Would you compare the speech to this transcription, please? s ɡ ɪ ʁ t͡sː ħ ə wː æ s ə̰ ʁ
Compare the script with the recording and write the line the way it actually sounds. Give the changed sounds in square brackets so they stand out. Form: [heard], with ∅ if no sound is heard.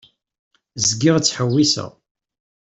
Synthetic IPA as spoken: [z] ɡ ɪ ʁ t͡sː ħ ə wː [i] s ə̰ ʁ